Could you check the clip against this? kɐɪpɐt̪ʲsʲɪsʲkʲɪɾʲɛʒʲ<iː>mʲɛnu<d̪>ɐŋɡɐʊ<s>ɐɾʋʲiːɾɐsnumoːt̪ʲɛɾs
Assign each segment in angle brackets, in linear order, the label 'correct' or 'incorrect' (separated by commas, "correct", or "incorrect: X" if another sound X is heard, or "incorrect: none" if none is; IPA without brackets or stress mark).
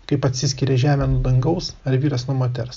incorrect: æː, correct, correct